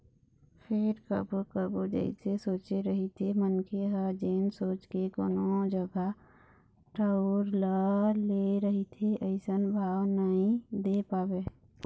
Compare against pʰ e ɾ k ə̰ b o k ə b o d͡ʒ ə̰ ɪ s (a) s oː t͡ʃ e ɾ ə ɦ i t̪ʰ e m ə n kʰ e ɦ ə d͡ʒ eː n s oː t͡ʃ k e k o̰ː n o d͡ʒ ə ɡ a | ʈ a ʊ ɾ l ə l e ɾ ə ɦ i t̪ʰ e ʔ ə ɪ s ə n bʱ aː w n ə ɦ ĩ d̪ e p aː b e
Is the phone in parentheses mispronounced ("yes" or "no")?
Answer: yes